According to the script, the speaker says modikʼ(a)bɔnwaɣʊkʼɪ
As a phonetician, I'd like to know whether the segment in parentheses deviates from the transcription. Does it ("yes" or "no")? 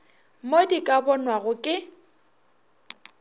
no